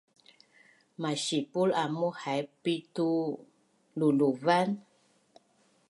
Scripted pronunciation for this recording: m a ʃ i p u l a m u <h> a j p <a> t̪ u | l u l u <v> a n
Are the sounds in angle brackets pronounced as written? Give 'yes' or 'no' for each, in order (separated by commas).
yes, no, yes